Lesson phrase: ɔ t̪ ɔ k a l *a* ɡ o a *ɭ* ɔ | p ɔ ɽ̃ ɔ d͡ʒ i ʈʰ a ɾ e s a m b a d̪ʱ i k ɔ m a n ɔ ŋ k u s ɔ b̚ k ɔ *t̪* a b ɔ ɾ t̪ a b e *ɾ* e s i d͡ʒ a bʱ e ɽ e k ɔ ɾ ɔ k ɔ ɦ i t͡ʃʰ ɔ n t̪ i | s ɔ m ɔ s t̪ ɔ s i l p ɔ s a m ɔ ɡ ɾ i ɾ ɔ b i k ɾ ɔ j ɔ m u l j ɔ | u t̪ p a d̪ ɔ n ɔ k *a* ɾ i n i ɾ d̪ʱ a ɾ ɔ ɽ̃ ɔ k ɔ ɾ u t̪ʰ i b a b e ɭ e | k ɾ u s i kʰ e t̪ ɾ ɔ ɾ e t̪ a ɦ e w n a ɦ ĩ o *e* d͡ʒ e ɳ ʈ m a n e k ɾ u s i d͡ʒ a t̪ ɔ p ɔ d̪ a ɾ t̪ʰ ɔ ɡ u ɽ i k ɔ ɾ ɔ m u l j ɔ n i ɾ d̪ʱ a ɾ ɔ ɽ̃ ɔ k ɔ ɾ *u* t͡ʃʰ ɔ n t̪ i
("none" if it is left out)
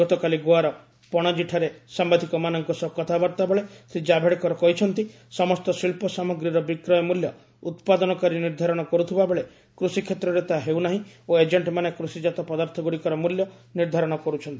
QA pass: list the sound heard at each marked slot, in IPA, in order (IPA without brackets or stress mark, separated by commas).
i, ɾ, t̪ʰ, ɭ, a, e, u